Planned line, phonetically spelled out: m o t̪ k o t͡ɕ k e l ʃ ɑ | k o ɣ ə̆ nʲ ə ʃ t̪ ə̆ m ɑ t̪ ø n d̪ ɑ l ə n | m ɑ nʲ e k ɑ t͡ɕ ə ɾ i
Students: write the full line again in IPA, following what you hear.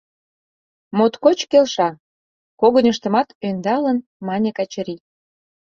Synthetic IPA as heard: m o t̪ k o t͡ɕ k e l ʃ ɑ | k o ɣ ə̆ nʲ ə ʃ t̪ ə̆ m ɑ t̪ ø n d̪ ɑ l ə n | m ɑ nʲ e k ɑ t͡ɕ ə ɾ i